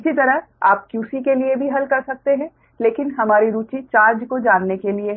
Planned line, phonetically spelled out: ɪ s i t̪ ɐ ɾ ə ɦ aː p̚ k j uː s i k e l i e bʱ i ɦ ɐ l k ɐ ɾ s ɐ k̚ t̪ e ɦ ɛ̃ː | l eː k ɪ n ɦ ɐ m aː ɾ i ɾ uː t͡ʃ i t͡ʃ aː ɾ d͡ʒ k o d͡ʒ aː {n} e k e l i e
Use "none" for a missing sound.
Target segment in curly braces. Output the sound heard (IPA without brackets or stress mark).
nː